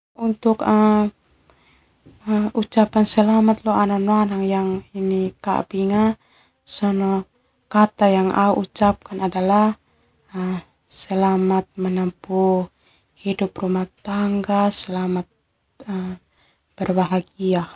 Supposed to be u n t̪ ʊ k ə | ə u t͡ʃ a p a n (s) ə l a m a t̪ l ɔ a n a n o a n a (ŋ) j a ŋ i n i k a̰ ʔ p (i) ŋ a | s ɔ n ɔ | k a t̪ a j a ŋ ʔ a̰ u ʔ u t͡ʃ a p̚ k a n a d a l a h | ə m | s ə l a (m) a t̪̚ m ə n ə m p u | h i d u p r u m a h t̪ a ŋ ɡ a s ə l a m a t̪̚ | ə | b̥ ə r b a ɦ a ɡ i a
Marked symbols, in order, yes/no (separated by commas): yes, yes, yes, yes